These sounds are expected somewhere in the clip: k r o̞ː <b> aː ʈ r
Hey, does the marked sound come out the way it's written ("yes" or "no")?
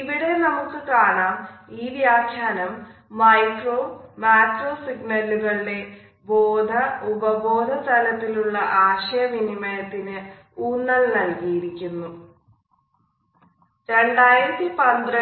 no